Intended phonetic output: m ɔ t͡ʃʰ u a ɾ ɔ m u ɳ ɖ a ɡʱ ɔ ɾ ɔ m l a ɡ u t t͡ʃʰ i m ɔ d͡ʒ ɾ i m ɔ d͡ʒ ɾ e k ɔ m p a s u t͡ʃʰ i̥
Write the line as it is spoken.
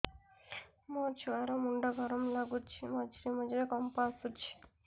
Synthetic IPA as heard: m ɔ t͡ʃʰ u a ɾ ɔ m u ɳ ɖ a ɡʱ ɔ ɾ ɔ m l a ɡ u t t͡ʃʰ i m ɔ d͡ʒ ɾ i m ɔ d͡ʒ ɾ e k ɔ m p a s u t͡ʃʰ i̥

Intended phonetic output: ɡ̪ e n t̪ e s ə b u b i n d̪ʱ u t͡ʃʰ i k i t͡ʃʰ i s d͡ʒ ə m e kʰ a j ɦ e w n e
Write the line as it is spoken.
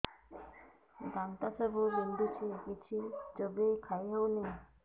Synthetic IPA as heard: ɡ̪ a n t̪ a s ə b u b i n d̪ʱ u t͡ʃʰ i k i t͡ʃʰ i d͡ʒ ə b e kʰ a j ɦ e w n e

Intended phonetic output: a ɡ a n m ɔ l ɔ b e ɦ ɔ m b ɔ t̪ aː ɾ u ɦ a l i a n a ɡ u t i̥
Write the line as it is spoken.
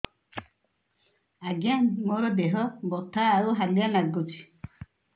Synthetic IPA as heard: a ɡ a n m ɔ ɾ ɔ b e ɦ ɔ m b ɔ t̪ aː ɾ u ɦ a l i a n a ɡ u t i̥

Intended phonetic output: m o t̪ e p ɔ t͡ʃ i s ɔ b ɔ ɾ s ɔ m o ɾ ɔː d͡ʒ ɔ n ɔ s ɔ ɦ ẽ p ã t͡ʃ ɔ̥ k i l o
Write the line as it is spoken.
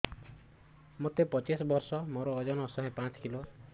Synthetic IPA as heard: m o t̪ e p ɔ t͡ʃ i s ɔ b ɔ ɾ s ɔ m o ɾ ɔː d͡ʒ ɔ n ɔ s ɔ ɦ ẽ p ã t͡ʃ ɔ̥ k i l o

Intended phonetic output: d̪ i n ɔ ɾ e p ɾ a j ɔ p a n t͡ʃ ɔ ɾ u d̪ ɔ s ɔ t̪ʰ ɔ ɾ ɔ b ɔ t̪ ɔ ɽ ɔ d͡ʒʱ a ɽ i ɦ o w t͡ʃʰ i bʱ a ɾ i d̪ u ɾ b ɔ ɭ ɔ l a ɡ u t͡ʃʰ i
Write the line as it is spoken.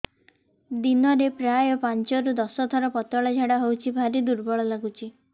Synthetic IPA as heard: d̪ i n ɔ ɾ e p ɾ a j ɔ p a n t͡ʃ ɔ ɾ u d̪ ɔ s ɔ t̪ʰ ɔ ɾ ɔ p ɔ t̪ ɔ ɭ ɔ d͡ʒʱ a ɽ a ɦ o w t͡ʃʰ i bʱ a ɾ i d̪ u ɾ b ɔ ɭ ɔ l a ɡ u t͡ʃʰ i

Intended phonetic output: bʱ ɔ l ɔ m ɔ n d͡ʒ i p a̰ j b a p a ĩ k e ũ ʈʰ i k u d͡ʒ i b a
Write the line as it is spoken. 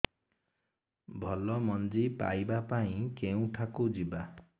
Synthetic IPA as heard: bʱ ɔ l ɔ m ɔ n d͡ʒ i p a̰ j b a p a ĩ k e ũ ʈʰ a k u d͡ʒ i b a

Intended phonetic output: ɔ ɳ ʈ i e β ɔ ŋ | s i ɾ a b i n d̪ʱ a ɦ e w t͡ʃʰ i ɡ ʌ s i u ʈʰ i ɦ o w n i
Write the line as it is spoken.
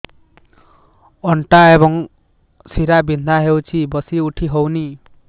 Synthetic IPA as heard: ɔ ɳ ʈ a e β ɔ ŋ | s i ɾ a b i n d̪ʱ a ɦ e w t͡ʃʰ i b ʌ s i u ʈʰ i ɦ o w n i

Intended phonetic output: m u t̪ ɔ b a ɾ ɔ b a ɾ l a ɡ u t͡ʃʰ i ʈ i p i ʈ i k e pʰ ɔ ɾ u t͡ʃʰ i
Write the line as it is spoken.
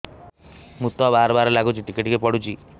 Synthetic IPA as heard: m u t̪ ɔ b a ɾ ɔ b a ɾ l a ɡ u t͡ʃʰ i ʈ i k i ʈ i k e p ɔ ɽ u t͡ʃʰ i

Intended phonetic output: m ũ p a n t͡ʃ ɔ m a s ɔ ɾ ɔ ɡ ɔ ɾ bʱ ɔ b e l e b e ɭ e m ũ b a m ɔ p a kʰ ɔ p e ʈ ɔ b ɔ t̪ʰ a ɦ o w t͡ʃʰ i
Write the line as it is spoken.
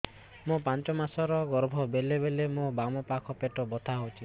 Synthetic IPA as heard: m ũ p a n t͡ʃ ɔ m a s ɔ ɾ ɔ ɡ ɔ ɾ bʱ ɔ b e l e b e l e m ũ b a m ɔ p a kʰ ɔ p e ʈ ɔ b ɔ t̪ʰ a ɦ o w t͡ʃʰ i

